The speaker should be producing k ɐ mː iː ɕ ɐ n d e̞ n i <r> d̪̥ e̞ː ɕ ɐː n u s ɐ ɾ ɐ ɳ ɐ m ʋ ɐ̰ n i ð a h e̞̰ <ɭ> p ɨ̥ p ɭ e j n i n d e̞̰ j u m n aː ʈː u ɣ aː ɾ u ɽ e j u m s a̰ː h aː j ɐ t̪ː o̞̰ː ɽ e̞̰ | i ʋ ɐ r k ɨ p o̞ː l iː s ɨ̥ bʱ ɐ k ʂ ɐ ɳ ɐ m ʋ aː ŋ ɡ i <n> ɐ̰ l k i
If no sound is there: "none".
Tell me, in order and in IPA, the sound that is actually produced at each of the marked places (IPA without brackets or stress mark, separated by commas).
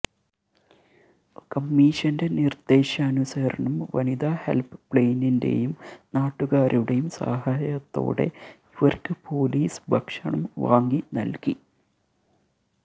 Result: r, l, n